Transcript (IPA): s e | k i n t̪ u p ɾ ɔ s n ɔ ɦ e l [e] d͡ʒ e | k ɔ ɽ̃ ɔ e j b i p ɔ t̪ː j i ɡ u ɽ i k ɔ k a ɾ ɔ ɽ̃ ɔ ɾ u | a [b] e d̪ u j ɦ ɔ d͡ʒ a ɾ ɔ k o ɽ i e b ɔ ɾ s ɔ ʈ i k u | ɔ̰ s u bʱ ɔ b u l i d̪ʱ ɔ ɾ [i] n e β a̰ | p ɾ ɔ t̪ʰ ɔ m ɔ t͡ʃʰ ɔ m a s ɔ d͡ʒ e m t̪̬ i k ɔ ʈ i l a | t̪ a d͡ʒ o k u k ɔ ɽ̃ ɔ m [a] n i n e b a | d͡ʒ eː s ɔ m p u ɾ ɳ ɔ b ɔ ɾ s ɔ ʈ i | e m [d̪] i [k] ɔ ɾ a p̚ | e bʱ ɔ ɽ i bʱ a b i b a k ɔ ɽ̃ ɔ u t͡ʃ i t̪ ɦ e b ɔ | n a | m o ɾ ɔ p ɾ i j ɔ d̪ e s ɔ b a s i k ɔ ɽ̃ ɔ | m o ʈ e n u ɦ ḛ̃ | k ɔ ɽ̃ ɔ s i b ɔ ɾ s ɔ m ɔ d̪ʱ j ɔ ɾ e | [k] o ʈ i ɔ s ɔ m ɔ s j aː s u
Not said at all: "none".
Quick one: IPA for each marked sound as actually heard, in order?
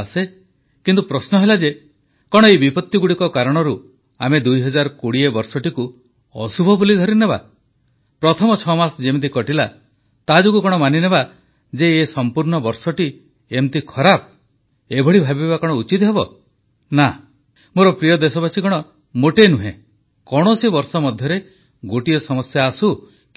a, m, i, a, t̪, kʰ, ɡ

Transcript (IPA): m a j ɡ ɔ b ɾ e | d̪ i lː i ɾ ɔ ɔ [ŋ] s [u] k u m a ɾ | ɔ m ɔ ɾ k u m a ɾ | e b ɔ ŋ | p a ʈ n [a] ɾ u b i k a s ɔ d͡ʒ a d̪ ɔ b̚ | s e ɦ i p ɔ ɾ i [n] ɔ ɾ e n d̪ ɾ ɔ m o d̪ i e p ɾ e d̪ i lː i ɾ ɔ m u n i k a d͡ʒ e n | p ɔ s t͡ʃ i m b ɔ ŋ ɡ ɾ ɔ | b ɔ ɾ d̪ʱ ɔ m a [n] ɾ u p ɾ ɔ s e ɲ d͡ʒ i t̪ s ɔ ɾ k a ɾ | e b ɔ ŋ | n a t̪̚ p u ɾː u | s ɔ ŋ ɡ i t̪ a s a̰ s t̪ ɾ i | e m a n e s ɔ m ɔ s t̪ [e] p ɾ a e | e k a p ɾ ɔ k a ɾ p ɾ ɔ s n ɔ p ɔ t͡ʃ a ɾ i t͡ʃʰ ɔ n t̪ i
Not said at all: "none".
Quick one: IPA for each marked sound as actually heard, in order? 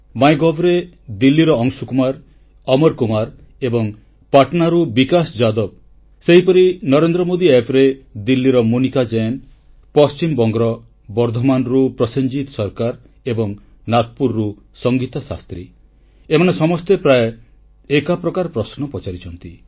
ŋ, u, a, n, n, e

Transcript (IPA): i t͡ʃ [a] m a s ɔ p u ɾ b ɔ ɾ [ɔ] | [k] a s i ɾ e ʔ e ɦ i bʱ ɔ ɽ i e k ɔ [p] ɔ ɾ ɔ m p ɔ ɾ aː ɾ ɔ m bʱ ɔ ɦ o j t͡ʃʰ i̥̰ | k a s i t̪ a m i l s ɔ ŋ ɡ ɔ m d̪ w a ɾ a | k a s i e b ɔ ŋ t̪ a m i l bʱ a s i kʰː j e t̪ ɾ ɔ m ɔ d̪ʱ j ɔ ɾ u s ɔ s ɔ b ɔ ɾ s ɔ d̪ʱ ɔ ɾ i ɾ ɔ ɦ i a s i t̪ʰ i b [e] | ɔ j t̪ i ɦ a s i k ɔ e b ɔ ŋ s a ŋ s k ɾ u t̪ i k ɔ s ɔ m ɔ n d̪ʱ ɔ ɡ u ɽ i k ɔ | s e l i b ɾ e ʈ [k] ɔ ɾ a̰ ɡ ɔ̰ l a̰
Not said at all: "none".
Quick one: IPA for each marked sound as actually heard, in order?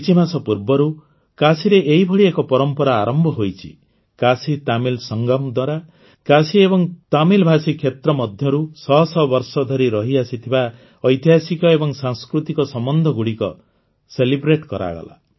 i, u, k, p, a, k

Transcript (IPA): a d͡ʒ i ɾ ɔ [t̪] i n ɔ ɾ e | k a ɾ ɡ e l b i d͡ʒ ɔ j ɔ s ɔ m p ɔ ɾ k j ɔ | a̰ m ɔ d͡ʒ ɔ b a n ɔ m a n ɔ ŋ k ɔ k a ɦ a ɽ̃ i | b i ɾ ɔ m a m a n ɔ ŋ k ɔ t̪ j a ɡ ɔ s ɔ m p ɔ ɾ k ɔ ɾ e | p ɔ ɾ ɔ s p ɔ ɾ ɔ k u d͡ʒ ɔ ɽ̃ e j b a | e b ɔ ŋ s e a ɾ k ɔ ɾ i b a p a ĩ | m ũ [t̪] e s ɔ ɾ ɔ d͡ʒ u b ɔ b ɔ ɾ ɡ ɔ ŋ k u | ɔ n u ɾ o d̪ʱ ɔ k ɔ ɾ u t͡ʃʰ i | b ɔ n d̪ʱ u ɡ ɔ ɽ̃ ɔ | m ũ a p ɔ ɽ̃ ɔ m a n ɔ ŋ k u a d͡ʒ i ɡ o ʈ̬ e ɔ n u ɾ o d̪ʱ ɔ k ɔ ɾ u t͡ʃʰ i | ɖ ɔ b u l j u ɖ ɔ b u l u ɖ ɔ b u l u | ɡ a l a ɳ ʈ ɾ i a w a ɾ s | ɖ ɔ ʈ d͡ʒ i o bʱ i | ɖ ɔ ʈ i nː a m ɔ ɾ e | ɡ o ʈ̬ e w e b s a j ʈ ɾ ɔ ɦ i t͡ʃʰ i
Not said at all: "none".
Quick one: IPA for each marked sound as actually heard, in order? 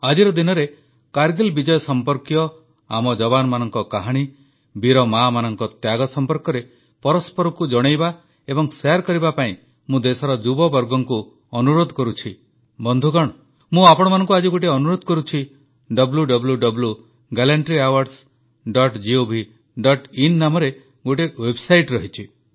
d̪, d̪

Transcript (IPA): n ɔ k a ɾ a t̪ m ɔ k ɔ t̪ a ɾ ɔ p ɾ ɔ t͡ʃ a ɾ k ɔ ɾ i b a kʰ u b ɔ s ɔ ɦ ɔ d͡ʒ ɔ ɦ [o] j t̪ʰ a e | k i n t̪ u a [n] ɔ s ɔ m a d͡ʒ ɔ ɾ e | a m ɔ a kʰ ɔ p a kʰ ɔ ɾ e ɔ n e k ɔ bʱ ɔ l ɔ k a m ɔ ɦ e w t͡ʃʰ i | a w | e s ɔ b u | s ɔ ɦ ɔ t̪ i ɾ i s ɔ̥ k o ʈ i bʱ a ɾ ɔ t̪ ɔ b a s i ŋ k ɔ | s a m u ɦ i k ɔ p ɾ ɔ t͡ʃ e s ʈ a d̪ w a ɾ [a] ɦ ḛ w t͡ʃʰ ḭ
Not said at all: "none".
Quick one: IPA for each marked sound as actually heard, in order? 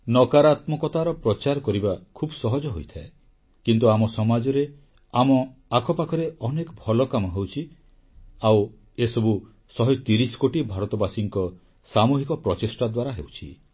o, m, a

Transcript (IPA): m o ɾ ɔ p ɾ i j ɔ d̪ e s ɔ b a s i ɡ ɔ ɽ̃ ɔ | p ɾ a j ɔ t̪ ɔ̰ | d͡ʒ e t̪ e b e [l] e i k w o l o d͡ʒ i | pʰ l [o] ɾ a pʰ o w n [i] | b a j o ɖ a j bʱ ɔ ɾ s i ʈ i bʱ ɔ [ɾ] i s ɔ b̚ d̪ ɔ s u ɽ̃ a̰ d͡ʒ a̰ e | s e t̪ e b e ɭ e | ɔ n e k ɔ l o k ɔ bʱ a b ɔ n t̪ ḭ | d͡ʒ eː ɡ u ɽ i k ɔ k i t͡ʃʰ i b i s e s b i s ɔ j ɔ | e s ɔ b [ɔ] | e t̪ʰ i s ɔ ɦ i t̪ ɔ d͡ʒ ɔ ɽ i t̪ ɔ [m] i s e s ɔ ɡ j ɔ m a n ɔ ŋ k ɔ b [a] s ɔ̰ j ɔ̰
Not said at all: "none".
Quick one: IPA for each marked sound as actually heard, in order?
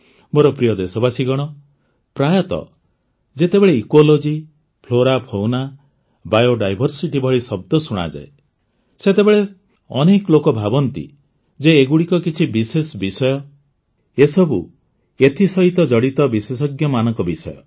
ɭ, o, a, ɭ, u, b, i

